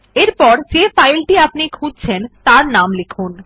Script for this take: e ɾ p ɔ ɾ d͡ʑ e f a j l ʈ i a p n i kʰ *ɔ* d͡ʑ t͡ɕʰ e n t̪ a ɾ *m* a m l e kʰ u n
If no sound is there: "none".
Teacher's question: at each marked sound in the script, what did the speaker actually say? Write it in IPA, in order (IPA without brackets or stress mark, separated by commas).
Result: u, n